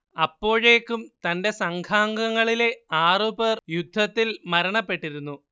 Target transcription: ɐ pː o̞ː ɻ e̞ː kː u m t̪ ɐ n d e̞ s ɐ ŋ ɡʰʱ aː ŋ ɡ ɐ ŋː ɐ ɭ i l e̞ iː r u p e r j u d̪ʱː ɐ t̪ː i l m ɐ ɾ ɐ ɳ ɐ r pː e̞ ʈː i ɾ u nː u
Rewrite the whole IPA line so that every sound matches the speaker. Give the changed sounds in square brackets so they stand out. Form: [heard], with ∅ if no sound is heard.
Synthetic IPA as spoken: ɐ pː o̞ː ɻ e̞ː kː u m t̪ ɐ n d e̞ s ɐ ŋ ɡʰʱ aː ŋ ɡ ɐ ŋː ɐ ɭ i l e̞ [aː] r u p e r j u d̪ʱː ɐ t̪ː i l m ɐ ɾ ɐ ɳ ɐ [∅] pː e̞ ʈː i ɾ u nː u